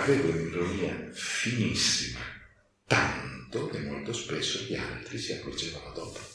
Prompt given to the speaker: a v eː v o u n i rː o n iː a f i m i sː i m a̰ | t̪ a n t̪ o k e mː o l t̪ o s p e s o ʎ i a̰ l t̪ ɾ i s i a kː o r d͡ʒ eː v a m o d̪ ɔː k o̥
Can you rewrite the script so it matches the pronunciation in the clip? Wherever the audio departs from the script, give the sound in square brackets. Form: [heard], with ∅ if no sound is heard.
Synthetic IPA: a v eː v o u n i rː o n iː a f i [n] i sː i m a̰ | t̪ a n t̪ o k e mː o l t̪ o s p e [sː] o ʎ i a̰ l t̪ ɾ i s i a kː o r d͡ʒ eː v a [n] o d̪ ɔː [p] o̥